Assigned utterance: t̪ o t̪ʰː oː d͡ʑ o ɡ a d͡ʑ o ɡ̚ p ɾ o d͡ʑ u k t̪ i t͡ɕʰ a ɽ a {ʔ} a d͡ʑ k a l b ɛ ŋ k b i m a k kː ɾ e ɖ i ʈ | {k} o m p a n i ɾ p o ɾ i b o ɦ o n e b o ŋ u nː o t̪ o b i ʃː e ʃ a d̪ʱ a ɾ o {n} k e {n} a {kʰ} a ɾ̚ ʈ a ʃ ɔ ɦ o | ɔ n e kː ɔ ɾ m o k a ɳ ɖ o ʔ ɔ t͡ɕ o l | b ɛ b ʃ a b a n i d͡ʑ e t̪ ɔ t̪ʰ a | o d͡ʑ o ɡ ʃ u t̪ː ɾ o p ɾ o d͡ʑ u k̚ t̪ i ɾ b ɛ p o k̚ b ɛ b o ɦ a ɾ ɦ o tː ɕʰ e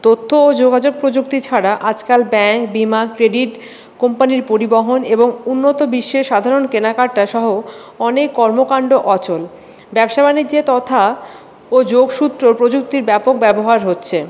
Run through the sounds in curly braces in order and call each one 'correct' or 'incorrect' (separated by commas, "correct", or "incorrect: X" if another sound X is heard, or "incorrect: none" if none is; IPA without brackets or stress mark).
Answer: correct, correct, correct, correct, incorrect: k